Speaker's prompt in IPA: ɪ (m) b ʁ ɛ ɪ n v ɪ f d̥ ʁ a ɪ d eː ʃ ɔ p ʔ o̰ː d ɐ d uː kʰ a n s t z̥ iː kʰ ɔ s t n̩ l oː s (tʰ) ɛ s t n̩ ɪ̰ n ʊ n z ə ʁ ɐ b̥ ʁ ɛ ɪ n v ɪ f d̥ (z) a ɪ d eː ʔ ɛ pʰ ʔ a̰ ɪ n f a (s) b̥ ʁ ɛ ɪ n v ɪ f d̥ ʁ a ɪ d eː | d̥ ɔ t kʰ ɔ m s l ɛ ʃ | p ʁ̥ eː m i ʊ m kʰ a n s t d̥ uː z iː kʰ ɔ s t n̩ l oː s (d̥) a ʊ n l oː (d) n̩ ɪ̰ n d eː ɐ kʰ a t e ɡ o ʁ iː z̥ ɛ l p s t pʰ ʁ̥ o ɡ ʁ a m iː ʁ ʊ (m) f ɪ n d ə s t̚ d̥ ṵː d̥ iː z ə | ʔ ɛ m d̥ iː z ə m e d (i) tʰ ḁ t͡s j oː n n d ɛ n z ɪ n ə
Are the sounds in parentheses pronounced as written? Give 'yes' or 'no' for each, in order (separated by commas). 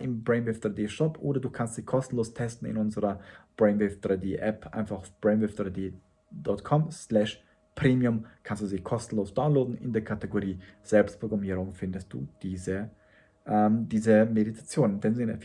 yes, yes, no, no, yes, yes, no, yes